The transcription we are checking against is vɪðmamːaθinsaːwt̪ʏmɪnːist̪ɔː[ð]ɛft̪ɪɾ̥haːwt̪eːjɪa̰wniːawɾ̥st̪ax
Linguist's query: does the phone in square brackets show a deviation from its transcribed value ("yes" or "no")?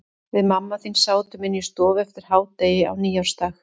yes